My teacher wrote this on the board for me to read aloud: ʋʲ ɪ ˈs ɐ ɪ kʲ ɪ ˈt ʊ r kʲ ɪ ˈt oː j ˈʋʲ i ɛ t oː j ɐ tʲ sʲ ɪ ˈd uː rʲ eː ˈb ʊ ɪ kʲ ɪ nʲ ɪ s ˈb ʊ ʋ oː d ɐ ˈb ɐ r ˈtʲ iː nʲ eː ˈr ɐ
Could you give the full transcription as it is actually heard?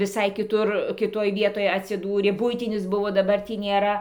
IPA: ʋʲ ɪ ˈs ɐ ɪ kʲ ɪ ˈt ʊ r kʲ ɪ ˈt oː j ˈʋʲ i ɛ t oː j ɐ tʲ sʲ ɪ ˈd uː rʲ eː ˈb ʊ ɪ tʲ ɪ nʲ ɪ s ˈb ʊ ʋ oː d ɐ ˈb ɐ r ˈtʲ iː nʲ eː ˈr ɐ